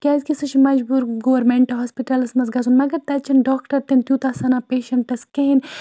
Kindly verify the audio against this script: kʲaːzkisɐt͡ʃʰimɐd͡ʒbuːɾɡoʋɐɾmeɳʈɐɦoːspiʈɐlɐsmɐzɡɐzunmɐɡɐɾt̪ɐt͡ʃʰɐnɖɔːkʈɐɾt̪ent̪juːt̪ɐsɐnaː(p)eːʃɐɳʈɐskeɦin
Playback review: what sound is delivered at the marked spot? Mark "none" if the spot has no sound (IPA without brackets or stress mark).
p